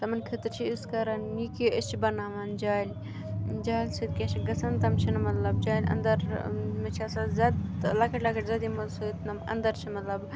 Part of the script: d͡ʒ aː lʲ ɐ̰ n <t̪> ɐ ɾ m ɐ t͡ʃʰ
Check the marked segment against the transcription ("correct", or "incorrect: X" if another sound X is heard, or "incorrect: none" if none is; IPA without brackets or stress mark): incorrect: d̪